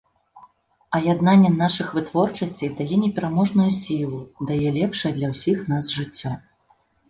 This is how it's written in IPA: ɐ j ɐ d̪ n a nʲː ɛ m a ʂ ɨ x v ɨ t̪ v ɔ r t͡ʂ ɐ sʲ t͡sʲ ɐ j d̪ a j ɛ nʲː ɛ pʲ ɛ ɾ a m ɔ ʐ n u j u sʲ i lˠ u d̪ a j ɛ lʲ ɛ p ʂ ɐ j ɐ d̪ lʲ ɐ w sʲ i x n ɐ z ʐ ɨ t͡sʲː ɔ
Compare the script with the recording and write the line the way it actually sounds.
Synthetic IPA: ɐ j a d̪ n a nʲː ɛ n a ʂ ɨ x v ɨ t̪ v ɔ r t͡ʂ ɐ sʲ t͡sʲ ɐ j d̪ a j ɛ nʲ ɛ pʲ ɛ ɾ a m ɔ ʐ n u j u sʲ i lˠ u d̪ a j ɛ lʲ ɛ p ʂ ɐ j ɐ d̪ lʲ ɐ w sʲ i x n a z ʐ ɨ t͡sʲː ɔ